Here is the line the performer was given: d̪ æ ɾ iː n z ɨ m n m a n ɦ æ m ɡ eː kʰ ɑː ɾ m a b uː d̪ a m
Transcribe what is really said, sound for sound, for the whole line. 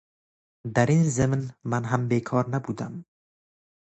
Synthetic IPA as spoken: d̪ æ ɾ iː n z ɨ m n m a n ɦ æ m b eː kʰ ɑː ɾ n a b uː d̪ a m